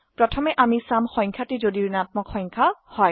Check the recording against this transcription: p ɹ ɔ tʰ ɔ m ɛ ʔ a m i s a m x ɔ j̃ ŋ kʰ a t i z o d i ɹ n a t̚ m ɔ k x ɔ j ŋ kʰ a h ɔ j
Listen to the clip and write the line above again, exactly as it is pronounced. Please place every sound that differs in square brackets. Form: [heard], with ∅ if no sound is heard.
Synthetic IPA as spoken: p ɹ ɔ tʰ ɔ m ɛ ʔ a m i s a m x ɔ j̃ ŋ kʰ a t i z o d i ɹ n a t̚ m ɔ k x ɔ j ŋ kʰ a h ɔ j